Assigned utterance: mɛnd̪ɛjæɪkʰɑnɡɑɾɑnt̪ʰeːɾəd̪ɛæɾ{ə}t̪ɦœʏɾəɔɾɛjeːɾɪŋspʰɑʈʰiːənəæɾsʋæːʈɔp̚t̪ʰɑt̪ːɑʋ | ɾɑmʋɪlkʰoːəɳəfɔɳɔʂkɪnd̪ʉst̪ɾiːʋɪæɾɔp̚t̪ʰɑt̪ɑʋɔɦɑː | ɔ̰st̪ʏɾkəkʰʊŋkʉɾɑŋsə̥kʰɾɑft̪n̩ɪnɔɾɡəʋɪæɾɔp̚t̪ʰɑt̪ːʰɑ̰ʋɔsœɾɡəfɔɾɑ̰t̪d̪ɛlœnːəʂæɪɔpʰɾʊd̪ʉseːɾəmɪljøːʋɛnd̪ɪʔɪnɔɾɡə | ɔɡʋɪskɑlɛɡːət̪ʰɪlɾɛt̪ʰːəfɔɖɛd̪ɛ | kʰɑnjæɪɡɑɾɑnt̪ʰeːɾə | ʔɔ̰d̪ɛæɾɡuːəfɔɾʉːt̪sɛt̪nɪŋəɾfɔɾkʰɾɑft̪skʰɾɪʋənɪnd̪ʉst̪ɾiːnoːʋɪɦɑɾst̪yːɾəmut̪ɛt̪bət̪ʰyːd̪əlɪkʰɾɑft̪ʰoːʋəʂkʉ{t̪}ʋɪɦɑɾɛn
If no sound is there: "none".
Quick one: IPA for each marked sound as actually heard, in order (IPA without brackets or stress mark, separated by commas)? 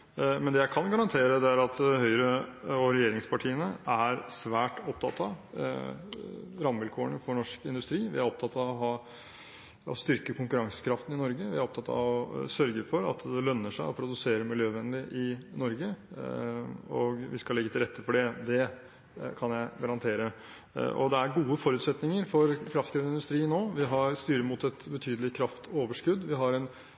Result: ɑ, d̪